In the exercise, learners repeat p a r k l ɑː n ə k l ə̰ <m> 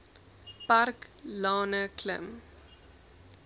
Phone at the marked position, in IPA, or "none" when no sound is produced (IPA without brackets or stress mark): m